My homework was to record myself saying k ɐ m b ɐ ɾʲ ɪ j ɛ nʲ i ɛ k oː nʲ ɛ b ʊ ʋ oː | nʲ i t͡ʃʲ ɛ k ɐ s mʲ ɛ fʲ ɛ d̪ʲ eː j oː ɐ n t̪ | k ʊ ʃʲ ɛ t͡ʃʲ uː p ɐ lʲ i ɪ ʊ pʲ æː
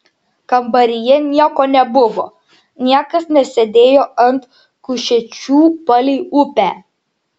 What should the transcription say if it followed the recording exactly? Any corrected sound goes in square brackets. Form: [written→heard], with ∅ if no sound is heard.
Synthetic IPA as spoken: k ɐ m b ɐ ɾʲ ɪ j ɛ nʲ i ɛ k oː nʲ ɛ b ʊ ʋ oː | nʲ i [t͡ʃʲ→∅] ɛ k ɐ s [mʲ→nʲ] ɛ [fʲ→sʲ] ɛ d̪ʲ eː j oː ɐ n t̪ | k ʊ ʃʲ ɛ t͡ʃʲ uː p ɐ lʲ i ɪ ʊ pʲ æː